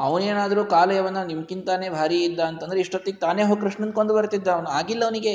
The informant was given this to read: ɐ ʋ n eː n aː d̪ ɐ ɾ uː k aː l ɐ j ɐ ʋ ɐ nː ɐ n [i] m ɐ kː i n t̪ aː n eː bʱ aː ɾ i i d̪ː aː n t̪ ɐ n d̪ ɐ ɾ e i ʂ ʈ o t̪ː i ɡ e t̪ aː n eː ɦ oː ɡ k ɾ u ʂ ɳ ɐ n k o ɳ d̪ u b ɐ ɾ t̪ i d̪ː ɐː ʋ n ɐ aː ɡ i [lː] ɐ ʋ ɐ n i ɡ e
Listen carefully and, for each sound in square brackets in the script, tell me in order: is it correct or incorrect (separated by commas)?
correct, correct